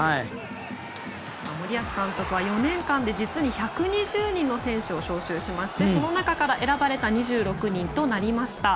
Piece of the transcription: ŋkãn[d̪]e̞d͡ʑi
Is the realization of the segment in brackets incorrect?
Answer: no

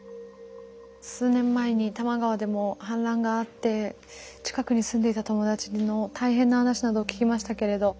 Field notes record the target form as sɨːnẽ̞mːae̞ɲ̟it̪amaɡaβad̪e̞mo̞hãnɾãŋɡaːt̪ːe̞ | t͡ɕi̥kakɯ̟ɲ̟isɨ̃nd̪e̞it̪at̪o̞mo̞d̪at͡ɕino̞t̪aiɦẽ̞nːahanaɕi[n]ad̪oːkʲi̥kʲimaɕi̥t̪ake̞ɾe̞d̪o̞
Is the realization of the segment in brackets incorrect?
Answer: no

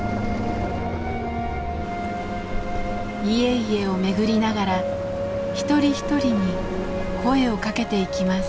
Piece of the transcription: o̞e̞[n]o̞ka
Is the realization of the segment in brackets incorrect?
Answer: yes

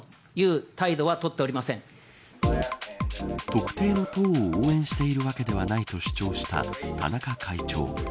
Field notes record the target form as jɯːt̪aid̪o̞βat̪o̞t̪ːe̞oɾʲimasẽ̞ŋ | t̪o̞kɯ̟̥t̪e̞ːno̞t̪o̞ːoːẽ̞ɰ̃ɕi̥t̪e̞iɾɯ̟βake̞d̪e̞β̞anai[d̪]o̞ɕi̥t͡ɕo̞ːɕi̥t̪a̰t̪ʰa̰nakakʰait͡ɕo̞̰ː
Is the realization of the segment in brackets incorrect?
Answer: yes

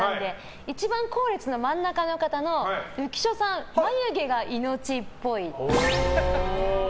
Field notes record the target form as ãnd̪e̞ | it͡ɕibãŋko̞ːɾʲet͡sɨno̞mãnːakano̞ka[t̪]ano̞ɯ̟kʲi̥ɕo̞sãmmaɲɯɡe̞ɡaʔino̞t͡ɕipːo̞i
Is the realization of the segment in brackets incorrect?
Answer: no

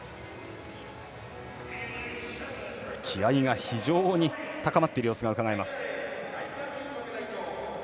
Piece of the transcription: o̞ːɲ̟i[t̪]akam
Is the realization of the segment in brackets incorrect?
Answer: no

